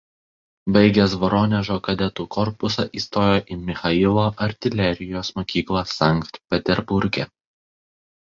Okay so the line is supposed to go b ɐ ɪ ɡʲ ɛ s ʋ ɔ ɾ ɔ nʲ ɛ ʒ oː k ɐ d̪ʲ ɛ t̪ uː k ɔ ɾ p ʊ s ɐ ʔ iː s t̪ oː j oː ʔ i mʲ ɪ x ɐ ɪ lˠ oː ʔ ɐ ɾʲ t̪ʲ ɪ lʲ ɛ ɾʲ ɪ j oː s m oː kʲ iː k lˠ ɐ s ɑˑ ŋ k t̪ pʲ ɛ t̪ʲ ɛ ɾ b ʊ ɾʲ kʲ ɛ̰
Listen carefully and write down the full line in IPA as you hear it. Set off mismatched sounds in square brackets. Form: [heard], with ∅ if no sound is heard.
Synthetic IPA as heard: b ɐ ɪ ɡʲ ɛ s ʋ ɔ ɾ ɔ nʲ ɛ ʒ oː k ɐ d̪ʲ ɛ t̪ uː k ɔ ɾ p ʊ s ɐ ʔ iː s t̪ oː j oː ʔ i mʲ ɪ x ɐ ɪ lˠ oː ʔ ɐ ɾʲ t̪ʲ ɪ lʲ ɛ ɾʲ ɪ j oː s m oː kʲ iː k lˠ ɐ s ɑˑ ŋ k t̪ pʲ ɛ t̪ʲ ɛ ɾ b ʊ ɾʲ [ɡʲ] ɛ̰